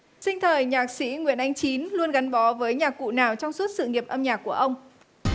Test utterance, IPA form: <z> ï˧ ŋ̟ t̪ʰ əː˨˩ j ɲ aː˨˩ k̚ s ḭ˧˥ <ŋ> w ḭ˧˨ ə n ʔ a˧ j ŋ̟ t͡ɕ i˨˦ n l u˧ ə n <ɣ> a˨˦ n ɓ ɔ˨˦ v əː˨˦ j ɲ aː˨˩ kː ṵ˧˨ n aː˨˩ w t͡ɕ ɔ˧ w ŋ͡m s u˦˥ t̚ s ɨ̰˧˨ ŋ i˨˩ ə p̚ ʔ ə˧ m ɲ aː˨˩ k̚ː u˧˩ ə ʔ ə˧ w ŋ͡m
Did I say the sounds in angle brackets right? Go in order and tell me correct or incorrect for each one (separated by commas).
incorrect, correct, correct